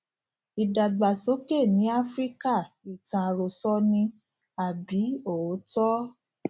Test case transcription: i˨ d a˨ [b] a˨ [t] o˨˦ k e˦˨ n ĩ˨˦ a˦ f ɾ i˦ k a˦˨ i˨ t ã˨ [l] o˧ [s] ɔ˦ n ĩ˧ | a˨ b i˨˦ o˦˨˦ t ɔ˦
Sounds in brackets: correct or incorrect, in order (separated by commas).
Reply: incorrect, incorrect, incorrect, correct